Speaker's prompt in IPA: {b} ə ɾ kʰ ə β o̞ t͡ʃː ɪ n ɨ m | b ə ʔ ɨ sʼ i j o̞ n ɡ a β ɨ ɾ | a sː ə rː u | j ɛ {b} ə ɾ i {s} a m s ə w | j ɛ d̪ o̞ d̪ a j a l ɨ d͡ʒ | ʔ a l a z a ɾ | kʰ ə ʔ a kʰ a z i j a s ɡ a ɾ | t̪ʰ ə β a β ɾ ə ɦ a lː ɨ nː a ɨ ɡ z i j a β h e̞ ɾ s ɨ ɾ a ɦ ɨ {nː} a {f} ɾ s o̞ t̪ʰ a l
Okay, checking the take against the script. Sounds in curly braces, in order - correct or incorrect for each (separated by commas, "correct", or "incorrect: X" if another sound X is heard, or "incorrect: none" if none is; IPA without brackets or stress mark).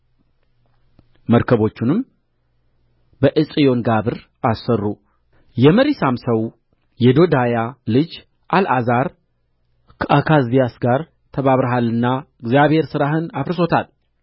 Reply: incorrect: m, incorrect: m, correct, incorrect: n, correct